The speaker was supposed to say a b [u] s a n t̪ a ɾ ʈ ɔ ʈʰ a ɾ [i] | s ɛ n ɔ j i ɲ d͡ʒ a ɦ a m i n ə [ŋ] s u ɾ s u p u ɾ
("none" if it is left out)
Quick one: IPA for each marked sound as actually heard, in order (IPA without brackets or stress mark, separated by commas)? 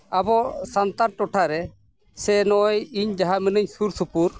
ɔ, ɛ, ɲ